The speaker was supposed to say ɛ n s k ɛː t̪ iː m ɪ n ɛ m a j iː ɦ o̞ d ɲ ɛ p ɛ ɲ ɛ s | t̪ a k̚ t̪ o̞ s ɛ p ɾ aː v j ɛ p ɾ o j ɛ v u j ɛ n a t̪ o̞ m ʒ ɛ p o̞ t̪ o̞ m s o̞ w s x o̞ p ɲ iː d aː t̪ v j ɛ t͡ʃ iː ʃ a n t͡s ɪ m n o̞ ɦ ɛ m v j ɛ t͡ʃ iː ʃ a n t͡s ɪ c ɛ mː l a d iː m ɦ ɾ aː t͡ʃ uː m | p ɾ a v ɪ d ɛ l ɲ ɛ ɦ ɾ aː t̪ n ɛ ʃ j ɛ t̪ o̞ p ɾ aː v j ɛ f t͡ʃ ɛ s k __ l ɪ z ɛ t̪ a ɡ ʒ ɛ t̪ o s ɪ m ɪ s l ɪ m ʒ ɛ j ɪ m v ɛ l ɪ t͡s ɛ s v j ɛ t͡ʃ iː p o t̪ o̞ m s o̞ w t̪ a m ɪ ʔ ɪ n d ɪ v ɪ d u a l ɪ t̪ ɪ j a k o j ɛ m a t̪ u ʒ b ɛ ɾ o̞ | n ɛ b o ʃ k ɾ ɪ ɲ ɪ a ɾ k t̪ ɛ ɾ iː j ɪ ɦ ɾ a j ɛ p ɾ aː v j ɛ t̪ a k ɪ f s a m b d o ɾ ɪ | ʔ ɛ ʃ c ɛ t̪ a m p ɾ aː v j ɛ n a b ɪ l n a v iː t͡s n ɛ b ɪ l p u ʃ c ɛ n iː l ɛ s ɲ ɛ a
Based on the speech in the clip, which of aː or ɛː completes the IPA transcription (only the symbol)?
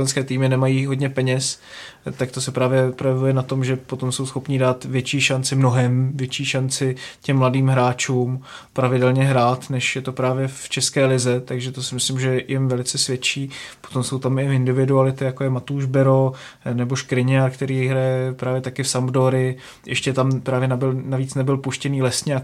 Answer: ɛː